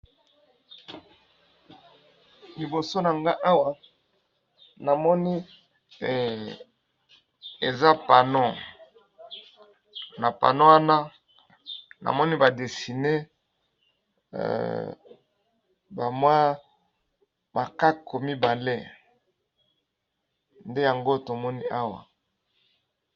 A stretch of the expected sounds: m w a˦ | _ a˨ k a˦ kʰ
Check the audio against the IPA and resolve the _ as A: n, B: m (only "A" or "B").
B